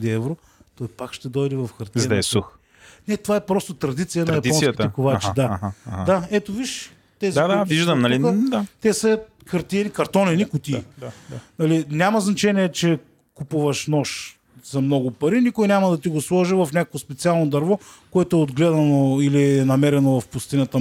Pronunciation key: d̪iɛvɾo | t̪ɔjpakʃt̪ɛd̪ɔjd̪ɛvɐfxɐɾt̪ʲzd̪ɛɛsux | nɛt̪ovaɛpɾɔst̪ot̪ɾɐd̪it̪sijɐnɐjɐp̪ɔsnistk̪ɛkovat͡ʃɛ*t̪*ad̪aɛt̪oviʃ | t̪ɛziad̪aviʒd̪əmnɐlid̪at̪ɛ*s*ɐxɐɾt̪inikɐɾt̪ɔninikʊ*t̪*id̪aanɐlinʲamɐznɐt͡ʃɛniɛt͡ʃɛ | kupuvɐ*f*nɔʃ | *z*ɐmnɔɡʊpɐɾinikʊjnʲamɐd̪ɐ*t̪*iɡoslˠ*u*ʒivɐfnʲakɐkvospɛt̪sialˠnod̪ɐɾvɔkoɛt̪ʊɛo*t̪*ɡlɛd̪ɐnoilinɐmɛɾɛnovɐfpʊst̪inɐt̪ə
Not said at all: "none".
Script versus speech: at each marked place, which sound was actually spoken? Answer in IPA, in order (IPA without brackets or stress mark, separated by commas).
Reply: d̪, s, t̪, ʃ, z, t̪, ɔ, d̪